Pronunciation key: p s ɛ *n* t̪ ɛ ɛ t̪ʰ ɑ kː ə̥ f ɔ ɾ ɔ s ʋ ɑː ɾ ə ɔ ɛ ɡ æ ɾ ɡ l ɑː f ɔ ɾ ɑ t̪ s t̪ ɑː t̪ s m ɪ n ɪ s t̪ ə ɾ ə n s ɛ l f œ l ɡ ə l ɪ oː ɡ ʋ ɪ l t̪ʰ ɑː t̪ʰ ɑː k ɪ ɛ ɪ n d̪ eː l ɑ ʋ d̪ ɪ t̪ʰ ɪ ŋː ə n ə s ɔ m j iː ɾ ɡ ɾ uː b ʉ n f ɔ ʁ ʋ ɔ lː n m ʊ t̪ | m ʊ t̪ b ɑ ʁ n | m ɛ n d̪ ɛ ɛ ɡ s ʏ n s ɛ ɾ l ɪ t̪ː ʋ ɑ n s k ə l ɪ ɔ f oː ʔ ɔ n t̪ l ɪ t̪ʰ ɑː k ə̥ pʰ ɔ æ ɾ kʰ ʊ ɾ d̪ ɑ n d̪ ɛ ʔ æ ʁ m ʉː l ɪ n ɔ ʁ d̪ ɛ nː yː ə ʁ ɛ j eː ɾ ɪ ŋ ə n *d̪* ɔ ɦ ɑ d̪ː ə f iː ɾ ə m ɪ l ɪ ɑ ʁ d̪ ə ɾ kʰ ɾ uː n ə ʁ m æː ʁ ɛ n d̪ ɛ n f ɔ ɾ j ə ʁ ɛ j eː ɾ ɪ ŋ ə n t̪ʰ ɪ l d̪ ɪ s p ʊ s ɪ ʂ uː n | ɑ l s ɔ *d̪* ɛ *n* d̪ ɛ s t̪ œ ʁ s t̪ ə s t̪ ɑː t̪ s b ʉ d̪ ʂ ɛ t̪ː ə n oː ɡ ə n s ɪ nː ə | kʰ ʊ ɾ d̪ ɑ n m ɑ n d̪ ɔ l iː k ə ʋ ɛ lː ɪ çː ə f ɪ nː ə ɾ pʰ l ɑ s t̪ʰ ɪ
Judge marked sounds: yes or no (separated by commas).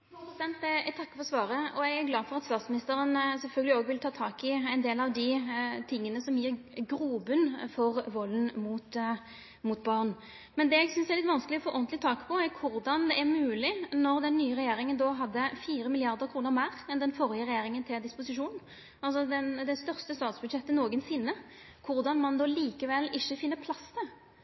yes, yes, yes, yes